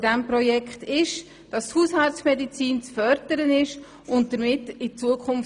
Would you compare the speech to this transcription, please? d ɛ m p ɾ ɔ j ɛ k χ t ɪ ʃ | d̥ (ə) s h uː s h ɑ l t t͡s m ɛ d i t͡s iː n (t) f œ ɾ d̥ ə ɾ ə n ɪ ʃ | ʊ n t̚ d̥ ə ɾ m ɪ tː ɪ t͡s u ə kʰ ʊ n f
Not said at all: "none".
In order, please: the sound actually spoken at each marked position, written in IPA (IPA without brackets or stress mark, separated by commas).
ɑ, t͡s